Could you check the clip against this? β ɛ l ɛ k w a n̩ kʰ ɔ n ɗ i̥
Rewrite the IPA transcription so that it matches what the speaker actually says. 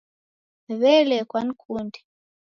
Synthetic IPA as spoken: β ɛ l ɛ k w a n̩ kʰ u n d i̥